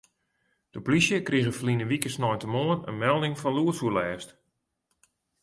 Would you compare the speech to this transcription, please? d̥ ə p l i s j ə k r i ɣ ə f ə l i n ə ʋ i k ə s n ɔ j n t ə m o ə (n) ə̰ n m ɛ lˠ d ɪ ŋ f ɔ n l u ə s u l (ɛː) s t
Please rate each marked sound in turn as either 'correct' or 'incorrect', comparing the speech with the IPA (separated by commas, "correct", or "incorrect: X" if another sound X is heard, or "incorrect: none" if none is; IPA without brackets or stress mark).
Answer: correct, correct